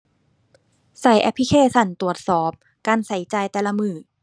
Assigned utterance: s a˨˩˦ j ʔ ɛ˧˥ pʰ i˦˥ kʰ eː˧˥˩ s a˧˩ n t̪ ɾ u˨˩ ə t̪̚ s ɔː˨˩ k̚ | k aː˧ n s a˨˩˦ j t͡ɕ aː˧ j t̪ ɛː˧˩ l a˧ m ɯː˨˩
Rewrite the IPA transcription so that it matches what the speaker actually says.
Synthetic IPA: s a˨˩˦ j ʔ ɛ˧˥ pʰ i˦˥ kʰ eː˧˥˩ s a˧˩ n t̪ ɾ u˨˩ ə t̪̚ s ɔː˨˩ p̚ | k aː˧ n s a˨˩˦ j t͡ɕ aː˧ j t̪ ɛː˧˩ l a˧ m ɯː˨˩